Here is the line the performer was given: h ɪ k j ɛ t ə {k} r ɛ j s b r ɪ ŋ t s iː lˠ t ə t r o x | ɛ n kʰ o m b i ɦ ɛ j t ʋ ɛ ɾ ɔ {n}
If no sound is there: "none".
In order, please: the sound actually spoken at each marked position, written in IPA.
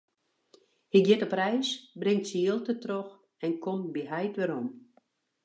p, m

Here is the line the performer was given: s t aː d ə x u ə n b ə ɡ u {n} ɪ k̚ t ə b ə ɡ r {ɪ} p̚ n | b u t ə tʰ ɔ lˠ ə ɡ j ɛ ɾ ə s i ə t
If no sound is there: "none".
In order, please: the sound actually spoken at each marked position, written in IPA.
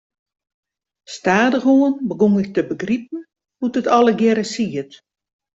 ŋ, i

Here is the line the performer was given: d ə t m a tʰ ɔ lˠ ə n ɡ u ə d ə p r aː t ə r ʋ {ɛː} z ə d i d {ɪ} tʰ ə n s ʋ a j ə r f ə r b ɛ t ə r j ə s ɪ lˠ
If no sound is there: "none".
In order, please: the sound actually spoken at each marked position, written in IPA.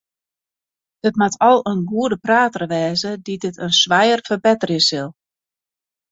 ɛː, ɪ

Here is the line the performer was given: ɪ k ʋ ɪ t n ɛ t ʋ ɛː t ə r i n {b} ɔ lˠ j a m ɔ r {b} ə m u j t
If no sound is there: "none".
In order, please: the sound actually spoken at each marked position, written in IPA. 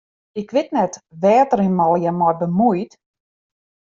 m, b

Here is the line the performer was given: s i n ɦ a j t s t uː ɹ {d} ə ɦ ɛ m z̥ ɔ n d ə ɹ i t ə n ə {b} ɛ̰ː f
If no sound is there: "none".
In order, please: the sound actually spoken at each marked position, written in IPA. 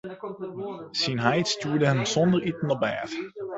d, b

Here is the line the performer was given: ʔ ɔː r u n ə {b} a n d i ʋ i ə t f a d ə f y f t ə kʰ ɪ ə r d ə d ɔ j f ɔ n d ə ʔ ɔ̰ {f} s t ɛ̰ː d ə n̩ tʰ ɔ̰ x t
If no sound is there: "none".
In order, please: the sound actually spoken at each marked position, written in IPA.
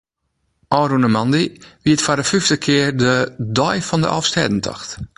m, f

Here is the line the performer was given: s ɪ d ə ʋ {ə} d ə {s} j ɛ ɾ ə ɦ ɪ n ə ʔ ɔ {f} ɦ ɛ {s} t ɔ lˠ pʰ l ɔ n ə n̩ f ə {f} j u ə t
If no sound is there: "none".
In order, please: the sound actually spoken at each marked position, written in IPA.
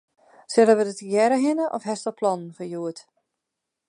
ə, t, f, s, none

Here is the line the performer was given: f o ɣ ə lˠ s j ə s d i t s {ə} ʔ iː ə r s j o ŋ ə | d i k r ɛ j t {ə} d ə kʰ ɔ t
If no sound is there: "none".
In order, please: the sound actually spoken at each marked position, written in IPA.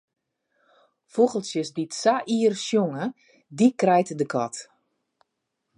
a, ə

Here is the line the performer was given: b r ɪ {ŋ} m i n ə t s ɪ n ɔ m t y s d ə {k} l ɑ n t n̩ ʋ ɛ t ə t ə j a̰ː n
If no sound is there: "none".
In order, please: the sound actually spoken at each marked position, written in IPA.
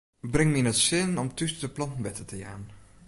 ŋ, p

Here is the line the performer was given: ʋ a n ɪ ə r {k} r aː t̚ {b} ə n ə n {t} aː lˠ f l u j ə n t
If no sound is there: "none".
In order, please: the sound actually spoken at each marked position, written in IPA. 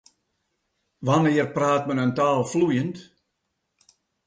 p, m, t

